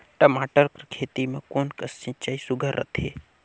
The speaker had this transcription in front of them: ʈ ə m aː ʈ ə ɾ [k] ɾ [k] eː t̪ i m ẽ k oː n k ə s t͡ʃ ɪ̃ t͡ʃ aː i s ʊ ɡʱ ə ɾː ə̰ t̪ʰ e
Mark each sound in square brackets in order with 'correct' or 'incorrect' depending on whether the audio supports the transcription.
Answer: correct, incorrect

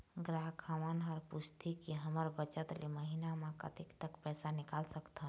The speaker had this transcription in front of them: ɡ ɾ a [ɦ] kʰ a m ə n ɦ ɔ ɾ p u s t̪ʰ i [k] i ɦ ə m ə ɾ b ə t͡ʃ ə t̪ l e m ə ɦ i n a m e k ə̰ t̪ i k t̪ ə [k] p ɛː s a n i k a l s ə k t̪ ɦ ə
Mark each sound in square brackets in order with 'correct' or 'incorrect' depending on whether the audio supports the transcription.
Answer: correct, correct, correct

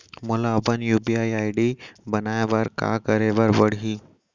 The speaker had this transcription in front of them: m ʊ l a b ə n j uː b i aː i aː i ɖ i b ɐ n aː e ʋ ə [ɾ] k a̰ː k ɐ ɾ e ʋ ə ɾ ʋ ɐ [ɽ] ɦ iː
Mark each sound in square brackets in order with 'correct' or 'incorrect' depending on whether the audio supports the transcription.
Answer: correct, correct

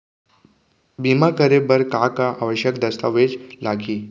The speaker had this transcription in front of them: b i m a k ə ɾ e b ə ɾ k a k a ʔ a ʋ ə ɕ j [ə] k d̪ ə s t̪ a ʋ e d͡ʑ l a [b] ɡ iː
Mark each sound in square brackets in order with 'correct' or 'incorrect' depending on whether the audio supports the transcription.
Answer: correct, incorrect

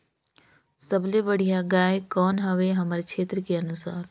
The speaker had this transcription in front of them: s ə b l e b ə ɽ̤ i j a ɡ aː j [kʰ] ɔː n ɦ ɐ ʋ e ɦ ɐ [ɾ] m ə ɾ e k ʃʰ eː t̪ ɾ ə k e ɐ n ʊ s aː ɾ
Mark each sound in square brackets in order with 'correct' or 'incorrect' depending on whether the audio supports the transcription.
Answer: incorrect, incorrect

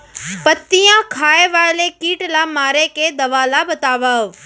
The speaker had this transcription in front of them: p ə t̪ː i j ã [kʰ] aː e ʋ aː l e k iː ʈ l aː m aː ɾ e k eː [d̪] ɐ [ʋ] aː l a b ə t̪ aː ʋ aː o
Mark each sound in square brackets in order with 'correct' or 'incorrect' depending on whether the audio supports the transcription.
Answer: correct, correct, correct

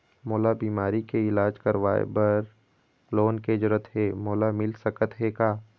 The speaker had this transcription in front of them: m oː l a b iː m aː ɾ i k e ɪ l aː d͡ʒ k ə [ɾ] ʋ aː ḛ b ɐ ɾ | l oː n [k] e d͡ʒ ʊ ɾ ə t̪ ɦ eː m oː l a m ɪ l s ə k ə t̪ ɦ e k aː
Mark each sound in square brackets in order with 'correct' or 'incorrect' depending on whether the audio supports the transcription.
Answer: correct, correct

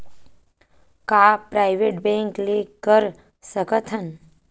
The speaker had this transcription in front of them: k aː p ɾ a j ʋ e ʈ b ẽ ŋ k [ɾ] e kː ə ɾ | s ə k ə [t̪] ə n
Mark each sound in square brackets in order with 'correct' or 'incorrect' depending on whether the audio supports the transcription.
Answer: incorrect, incorrect

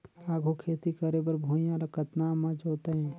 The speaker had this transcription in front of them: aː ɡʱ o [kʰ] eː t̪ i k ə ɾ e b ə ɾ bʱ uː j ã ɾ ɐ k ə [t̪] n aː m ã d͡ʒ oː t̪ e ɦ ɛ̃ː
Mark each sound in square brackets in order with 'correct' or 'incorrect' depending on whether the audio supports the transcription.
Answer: correct, correct

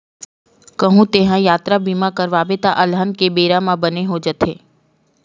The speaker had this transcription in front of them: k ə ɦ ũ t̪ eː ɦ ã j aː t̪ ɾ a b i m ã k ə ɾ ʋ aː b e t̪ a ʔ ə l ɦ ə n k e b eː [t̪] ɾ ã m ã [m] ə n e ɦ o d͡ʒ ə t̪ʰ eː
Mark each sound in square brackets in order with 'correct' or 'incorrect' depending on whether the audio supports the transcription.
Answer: incorrect, incorrect

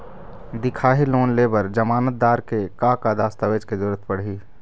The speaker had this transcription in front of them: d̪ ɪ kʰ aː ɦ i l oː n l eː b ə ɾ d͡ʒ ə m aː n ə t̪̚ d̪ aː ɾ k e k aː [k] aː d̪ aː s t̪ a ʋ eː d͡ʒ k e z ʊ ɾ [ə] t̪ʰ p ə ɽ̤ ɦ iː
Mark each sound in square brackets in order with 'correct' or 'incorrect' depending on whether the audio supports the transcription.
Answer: correct, correct

